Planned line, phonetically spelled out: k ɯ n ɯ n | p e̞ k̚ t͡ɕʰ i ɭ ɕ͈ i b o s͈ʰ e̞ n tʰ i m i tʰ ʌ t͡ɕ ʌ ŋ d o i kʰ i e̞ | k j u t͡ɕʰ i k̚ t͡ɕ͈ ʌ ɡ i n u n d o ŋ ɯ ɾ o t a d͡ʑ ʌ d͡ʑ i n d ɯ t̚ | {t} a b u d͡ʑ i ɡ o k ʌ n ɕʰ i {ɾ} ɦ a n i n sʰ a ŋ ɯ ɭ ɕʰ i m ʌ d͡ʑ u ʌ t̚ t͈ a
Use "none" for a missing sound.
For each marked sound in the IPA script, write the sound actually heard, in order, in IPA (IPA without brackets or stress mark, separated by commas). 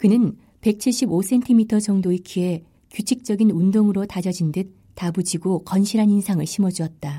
t, ɾ